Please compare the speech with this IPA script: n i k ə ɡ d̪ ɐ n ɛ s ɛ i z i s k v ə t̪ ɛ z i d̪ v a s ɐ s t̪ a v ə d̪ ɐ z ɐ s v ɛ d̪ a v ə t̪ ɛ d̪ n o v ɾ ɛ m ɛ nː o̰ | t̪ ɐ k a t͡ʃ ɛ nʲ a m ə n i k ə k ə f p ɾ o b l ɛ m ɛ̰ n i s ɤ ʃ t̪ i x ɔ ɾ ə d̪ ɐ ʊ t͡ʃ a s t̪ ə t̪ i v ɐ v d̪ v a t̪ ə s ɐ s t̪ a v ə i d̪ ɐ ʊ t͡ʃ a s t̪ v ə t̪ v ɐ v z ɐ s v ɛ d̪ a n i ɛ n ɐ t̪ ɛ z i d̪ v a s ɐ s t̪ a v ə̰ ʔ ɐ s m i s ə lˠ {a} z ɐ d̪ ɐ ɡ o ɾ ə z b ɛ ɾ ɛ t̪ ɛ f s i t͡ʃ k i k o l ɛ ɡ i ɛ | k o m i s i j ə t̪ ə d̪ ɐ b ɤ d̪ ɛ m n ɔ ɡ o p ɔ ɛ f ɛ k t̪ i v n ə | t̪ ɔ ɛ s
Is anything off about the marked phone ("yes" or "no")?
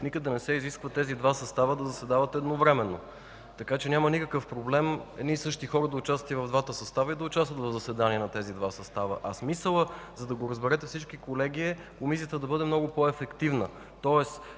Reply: yes